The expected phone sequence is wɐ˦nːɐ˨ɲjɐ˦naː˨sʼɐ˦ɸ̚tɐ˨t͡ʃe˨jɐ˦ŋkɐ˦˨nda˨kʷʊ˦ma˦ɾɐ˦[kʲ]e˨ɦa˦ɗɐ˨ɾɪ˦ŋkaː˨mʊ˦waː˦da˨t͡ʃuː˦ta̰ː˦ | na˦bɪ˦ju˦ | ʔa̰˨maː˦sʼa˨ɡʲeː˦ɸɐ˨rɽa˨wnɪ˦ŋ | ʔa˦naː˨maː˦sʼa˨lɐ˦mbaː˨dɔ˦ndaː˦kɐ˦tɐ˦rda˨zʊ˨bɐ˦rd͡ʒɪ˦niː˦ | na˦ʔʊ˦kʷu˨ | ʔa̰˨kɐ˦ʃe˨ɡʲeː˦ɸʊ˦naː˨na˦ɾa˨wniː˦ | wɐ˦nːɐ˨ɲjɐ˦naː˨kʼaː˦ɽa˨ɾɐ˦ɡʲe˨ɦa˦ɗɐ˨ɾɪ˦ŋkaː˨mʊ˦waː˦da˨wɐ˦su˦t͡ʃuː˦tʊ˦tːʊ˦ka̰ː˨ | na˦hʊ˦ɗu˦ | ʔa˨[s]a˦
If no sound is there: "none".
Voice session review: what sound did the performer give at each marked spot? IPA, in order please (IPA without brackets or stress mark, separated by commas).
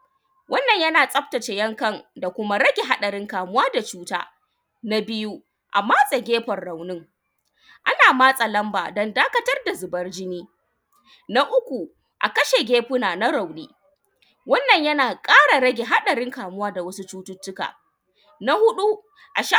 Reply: ɡʲ, ʃ